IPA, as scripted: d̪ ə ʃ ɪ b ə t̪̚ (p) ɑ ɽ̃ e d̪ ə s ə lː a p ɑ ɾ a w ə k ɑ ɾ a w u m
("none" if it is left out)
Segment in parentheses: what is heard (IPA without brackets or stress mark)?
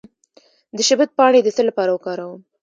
p